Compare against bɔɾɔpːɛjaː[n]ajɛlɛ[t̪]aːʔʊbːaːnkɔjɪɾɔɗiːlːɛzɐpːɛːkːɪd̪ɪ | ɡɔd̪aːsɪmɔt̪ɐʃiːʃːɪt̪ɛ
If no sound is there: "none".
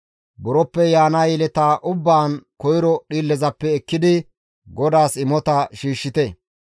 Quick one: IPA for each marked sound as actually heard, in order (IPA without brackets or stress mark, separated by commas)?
n, t̪